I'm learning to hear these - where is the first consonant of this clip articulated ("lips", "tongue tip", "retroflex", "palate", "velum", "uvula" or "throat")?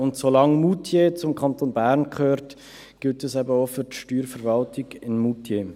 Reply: tongue tip